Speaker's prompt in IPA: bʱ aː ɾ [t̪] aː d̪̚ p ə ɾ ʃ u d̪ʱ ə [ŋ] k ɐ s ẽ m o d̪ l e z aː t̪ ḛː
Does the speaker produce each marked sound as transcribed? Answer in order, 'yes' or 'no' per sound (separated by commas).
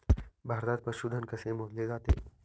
no, no